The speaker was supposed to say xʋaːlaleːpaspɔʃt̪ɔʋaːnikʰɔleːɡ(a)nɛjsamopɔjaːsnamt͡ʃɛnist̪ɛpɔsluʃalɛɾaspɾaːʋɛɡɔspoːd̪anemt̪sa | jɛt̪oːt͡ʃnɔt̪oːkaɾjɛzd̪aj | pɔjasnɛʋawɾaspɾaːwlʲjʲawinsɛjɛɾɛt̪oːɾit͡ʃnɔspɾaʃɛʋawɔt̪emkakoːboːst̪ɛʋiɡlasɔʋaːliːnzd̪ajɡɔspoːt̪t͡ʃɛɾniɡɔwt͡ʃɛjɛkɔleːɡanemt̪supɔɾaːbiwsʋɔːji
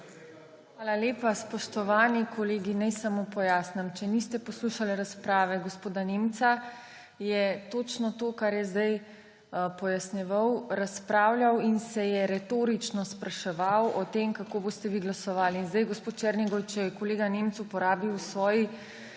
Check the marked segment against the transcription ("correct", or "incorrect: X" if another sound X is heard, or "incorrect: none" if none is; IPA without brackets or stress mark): incorrect: i